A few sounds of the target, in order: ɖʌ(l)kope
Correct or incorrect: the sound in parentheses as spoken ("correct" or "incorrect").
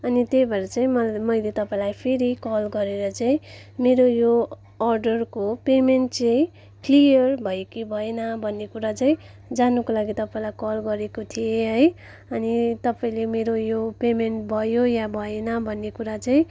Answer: incorrect